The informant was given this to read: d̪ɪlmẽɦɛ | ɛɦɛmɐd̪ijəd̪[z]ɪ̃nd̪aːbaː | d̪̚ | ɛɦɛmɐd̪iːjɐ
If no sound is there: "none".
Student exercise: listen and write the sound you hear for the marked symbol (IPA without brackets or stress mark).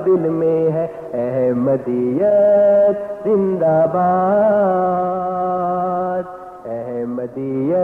z